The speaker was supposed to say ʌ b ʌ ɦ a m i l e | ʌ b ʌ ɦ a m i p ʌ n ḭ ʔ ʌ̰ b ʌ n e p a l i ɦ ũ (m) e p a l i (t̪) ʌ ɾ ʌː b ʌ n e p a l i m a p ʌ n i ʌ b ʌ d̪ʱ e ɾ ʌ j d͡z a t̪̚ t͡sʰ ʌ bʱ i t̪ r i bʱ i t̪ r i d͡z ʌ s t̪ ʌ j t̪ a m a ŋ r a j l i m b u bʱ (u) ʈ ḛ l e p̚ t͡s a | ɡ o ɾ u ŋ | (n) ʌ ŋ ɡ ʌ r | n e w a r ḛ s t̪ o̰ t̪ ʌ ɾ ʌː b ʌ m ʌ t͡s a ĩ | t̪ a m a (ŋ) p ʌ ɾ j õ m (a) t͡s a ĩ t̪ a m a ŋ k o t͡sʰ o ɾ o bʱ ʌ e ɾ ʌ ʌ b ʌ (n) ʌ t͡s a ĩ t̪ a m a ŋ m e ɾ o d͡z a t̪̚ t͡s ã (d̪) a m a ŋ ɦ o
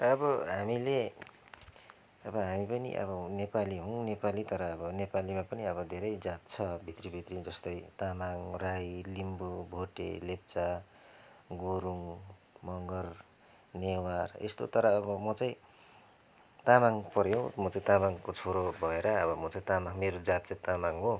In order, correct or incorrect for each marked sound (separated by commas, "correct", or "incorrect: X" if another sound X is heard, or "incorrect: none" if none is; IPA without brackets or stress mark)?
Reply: incorrect: n, correct, incorrect: o, incorrect: m, correct, incorrect: ʌ, incorrect: m, incorrect: t̪